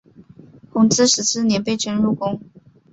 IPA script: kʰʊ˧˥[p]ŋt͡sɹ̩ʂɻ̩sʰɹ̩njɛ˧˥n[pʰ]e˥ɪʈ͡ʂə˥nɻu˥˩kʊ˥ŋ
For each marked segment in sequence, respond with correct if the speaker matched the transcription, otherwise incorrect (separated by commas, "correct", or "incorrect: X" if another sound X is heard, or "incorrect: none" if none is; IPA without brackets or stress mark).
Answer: incorrect: none, incorrect: p